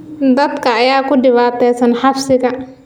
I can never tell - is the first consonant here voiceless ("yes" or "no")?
no